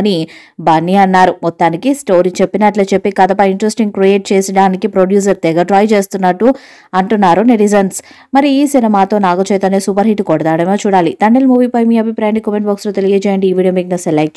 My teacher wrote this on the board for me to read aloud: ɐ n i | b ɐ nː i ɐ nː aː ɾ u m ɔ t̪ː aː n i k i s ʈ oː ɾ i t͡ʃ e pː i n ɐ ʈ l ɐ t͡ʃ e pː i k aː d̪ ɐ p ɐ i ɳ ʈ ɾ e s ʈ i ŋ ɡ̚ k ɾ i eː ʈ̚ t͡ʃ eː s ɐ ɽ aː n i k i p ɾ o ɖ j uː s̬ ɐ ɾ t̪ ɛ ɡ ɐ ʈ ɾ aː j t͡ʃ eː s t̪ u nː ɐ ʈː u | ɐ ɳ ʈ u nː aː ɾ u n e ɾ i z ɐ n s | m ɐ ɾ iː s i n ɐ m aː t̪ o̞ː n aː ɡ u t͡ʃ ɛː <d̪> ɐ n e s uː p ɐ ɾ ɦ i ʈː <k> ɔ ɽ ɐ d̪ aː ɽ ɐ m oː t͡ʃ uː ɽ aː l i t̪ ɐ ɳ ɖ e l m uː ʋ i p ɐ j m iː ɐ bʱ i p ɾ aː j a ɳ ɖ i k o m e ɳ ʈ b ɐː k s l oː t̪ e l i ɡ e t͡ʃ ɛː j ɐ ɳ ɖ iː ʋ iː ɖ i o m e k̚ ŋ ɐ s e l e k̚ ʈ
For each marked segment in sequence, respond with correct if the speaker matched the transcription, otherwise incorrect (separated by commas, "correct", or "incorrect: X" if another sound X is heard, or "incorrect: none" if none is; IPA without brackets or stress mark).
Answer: incorrect: t̪, correct